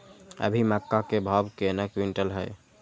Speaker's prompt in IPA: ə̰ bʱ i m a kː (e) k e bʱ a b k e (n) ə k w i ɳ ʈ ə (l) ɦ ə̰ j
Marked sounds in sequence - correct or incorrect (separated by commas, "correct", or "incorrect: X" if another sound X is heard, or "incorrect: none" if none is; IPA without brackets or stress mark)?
incorrect: a, correct, correct